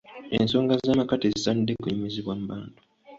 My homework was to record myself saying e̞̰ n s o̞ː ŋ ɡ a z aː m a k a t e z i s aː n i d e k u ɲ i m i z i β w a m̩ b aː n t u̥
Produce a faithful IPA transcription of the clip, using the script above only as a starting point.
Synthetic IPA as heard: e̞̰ n s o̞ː ŋ ɡ a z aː m a k a t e z i s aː n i d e k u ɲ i m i z i β w a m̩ b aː n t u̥